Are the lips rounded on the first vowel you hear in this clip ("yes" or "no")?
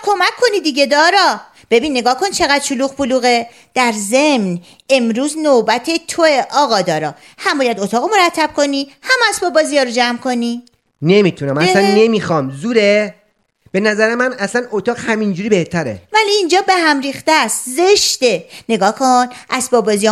yes